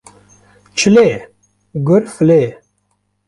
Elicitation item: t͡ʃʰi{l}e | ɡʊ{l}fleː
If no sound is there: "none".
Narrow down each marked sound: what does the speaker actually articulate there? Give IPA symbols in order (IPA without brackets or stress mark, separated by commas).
l, ɾ